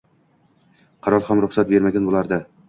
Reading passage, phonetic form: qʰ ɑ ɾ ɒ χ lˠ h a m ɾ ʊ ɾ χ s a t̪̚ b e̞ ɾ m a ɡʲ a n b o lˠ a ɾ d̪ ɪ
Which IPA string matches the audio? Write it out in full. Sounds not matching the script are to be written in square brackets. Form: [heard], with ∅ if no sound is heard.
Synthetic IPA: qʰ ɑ ɾ ɒ [∅] lˠ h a m ɾ ʊ [∅] χ s a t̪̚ b e̞ ɾ m a ɡʲ a n b o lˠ a ɾ d̪ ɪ

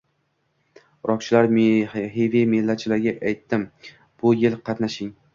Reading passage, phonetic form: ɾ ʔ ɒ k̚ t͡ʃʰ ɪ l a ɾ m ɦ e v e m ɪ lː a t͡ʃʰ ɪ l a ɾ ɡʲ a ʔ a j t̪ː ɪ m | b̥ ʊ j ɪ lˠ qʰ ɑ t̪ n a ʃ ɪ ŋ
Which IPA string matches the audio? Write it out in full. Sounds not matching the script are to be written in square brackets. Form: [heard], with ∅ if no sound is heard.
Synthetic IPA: ɾ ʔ ɒ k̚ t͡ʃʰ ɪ l a ɾ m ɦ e v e m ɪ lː a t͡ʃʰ ɪ l a ɾ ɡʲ a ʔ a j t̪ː ɪ m | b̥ ʊ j ɪ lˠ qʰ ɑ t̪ n a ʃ ɪ ŋ

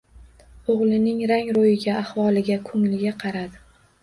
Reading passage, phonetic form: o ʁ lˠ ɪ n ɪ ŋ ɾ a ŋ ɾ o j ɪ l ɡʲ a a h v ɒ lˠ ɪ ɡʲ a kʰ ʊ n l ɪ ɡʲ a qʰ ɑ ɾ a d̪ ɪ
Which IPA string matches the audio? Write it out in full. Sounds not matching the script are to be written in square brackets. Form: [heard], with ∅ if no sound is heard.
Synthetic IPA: o ʁ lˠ ɪ n ɪ ŋ ɾ a ŋ ɾ o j ɪ [∅] ɡʲ a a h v ɒ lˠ ɪ ɡʲ a kʰ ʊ [ŋ] l ɪ ɡʲ a qʰ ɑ ɾ a d̪ ɪ

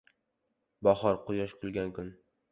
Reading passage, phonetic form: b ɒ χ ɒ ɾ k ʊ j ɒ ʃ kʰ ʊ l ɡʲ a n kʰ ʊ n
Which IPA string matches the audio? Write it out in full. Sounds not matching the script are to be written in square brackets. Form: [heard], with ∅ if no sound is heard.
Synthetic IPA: b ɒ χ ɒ ɾ [q] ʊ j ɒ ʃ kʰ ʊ l ɡʲ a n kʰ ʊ n

